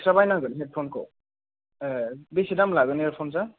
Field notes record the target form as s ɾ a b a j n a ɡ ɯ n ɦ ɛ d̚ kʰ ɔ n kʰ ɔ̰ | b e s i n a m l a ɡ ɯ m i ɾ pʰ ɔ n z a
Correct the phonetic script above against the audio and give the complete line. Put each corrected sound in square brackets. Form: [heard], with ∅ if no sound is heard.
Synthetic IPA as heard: s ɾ a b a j n a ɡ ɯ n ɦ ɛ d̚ [pʰ] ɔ n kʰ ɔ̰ | b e s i [d] a m l a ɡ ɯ [n] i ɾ pʰ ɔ n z a